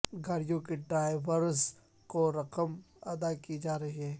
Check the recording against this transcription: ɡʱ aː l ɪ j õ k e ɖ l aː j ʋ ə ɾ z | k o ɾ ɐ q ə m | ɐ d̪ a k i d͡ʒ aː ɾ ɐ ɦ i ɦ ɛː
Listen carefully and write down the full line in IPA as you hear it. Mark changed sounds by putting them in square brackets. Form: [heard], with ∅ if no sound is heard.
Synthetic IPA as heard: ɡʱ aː [ɾ] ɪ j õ k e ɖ [ɾ] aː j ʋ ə ɾ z | k o ɾ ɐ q ə m | ɐ d̪ a k i d͡ʒ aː ɾ ɐ ɦ i ɦ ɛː